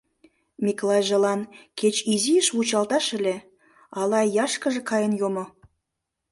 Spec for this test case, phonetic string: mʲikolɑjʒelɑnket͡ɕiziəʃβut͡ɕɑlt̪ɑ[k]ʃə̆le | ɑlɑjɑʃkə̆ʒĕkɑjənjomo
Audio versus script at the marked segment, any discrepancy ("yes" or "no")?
yes